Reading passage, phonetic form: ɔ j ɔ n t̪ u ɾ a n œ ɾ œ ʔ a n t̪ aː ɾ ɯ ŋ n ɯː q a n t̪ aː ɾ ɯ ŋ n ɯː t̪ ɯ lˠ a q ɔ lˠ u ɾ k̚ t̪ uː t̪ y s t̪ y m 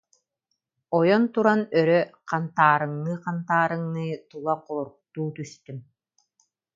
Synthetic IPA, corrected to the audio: ɔ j ɔ n t̪ u ɾ a n œ ɾ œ q a n t̪ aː ɾ ɯ ŋ n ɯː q a n t̪ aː ɾ ɯ ŋ n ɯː t̪ u lˠ a q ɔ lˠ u ɾ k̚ t̪ uː t̪ y s t̪ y m